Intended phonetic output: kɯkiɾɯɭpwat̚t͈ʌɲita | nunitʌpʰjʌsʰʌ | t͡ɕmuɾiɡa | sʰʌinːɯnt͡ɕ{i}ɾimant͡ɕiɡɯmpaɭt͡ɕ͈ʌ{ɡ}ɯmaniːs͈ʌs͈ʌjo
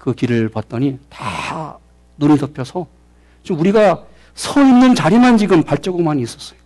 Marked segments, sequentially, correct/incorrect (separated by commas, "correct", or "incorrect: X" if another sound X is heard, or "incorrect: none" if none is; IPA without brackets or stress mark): incorrect: a, correct